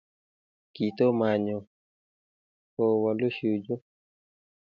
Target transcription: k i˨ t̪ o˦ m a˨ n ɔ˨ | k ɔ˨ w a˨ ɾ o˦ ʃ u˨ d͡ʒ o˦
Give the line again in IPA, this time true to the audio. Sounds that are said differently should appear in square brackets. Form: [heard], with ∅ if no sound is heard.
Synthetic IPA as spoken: k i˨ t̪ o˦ m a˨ [ɲ] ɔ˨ | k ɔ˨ w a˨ [l] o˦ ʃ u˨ d͡ʒ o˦